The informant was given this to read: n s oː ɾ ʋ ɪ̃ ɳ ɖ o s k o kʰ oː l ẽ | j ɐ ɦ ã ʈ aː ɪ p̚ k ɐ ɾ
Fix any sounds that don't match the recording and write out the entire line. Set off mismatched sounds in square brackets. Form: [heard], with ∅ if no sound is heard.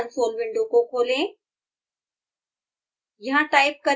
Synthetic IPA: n s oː [l] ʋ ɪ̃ ɳ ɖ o [∅] k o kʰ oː l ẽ | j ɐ ɦ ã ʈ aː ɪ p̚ k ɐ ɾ